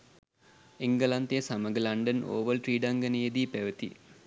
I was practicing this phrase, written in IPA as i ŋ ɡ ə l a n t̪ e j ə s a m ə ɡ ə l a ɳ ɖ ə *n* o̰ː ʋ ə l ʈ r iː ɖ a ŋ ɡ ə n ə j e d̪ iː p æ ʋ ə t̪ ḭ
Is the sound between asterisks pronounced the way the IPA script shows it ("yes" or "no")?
yes